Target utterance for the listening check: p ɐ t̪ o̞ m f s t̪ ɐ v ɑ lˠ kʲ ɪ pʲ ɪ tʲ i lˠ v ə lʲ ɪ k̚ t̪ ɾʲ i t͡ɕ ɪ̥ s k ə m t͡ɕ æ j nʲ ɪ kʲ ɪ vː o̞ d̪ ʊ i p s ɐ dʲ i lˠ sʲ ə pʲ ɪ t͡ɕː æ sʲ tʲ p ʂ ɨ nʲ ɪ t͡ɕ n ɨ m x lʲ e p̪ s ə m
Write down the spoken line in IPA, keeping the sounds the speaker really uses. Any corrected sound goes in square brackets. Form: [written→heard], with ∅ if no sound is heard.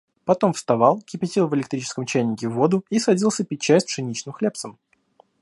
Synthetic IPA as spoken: p ɐ t̪ o̞ m f s t̪ ɐ v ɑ lˠ kʲ ɪ pʲ ɪ tʲ i lˠ v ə lʲ ɪ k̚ t̪ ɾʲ i t͡ɕ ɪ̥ s k ə m t͡ɕ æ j nʲ ɪ kʲ ɪ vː o̞ d̪ ʊ i [p→∅] s ɐ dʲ i lˠ sʲ ə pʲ ɪ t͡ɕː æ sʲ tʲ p ʂ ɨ nʲ [ɪ→i] t͡ɕ n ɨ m x lʲ e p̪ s ə m